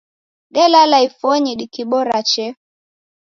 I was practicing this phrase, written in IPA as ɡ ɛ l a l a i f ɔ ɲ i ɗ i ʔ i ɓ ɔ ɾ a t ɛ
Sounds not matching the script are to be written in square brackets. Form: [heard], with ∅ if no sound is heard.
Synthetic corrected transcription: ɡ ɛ l a l a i f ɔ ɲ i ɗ i [k] i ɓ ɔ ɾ a [t͡ʃ] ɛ